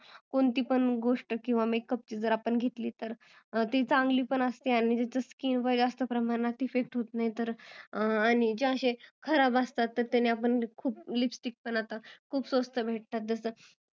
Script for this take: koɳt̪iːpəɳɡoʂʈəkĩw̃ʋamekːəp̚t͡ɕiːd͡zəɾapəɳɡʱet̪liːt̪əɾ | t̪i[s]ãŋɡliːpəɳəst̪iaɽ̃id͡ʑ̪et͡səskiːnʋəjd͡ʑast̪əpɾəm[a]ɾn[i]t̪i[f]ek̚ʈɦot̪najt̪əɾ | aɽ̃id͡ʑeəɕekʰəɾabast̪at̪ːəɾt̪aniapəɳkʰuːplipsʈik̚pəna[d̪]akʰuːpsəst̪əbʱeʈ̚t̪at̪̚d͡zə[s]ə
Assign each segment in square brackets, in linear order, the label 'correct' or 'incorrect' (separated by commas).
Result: incorrect, correct, incorrect, correct, incorrect, correct